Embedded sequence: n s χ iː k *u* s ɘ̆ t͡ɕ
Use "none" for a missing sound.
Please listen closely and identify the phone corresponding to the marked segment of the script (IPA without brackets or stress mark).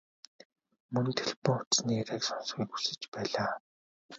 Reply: u